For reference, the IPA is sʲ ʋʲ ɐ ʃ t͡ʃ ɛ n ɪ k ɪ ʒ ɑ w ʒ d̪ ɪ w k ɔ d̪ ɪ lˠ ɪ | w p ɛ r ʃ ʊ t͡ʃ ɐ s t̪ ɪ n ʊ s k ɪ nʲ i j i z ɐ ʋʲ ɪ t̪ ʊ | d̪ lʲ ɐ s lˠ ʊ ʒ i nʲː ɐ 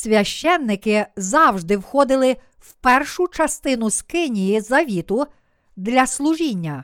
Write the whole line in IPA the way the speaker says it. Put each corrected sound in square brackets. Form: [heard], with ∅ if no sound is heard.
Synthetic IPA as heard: sʲ ʋʲ ɐ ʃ t͡ʃ ɛ [nː] ɪ k ɪ [z] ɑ w ʒ d̪ ɪ w [x] ɔ d̪ ɪ lˠ ɪ | w p ɛ r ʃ ʊ t͡ʃ ɐ s t̪ ɪ n ʊ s k ɪ nʲ i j i z ɐ ʋʲ [i] t̪ ʊ | d̪ lʲ ɐ s lˠ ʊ ʒ i nʲː ɐ